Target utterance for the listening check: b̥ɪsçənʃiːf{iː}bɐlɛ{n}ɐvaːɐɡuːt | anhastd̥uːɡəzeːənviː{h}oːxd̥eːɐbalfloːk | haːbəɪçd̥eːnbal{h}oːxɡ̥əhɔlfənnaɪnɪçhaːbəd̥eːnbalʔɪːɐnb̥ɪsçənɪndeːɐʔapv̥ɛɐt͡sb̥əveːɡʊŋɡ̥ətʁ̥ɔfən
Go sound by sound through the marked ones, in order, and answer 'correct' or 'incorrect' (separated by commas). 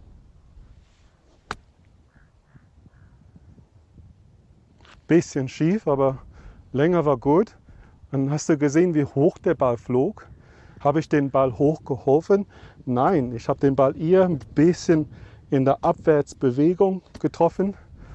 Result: incorrect, incorrect, correct, correct